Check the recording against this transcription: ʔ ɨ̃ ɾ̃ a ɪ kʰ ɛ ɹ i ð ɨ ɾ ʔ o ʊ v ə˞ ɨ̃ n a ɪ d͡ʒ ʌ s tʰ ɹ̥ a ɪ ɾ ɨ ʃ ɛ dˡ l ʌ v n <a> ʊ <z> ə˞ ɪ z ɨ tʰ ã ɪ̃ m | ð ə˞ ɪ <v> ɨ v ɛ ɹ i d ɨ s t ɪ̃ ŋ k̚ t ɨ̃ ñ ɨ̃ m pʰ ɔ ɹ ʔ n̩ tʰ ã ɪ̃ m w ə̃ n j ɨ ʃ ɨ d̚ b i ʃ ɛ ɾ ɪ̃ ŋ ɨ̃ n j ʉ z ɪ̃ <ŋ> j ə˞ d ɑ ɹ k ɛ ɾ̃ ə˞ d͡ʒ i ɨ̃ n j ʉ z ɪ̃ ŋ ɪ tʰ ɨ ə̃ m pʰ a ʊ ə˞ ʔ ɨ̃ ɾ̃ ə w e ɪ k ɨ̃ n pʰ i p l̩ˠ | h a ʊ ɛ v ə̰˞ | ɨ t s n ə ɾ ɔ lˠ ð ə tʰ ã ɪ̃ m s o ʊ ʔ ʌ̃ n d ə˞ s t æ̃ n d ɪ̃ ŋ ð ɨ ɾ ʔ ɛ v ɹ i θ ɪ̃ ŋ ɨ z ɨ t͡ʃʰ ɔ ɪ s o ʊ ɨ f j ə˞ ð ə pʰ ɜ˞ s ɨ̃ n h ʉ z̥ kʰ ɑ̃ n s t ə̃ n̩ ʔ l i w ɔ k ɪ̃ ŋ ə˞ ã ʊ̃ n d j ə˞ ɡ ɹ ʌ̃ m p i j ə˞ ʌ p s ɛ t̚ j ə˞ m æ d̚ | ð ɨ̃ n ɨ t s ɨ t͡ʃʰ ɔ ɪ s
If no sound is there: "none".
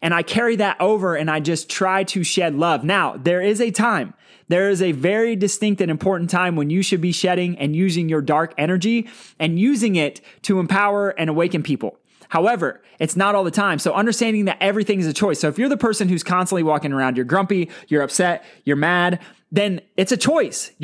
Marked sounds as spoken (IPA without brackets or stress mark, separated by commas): a, ð, z, ŋ